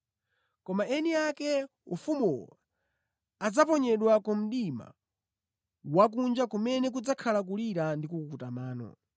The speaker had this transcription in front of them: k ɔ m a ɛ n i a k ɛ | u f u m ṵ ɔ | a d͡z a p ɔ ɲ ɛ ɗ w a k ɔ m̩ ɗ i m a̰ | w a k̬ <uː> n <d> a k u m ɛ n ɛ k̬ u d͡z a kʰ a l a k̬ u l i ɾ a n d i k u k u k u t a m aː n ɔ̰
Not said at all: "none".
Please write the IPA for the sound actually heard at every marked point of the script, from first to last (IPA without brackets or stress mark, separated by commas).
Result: u, d͡ʒ